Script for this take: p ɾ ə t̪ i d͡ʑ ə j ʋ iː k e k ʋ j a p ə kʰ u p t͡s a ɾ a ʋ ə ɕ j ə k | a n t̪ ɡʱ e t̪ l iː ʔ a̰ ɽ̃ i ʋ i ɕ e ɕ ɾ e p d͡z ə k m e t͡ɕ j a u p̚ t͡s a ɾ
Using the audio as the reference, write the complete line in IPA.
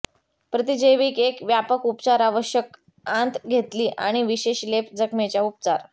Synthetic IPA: p ɾ ə t̪ i d͡ʑ ə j ʋ iː k e k ʋ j a p ə k u p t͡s a ɾ a ʋ ə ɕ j ə k | a n t̪ ɡʱ e t̪ l iː ʔ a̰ ɽ̃ i ʋ i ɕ e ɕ l e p d͡z ə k m e t͡ɕ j a u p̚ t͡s a ɾ